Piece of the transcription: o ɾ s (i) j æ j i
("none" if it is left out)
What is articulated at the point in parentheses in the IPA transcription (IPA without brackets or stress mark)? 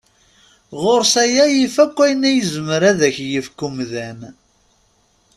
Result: æ